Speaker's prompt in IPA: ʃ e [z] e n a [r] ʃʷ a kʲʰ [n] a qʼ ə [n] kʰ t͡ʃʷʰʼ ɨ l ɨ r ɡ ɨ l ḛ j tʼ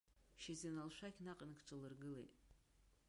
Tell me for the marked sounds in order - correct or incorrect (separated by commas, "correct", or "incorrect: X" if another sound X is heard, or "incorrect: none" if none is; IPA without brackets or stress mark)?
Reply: correct, incorrect: l, correct, correct